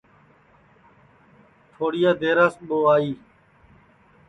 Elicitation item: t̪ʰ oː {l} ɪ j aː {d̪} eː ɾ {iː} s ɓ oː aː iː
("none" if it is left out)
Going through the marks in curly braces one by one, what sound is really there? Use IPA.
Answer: ɽ, d̪, aː

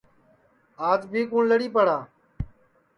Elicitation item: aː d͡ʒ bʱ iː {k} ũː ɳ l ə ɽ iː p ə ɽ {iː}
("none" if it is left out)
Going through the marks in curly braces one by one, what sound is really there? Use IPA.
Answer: k, aː

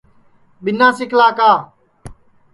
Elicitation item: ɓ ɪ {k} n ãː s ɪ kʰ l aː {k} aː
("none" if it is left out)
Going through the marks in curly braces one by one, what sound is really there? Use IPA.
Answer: none, k

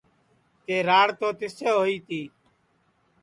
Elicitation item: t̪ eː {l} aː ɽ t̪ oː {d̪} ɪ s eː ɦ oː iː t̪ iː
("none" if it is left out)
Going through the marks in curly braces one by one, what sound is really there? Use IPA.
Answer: ɾ, t̪

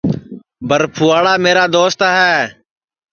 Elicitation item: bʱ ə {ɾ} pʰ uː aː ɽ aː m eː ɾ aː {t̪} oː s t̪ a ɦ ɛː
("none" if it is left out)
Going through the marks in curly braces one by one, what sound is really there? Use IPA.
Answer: ɾ, d̪

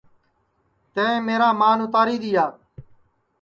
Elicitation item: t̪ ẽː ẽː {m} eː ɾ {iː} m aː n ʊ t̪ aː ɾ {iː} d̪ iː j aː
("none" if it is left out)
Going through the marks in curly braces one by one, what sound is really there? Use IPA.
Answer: m, aː, iː

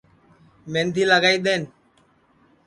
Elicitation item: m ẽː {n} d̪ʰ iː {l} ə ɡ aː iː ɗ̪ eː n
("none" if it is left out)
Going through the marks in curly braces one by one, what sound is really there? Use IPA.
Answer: n, l

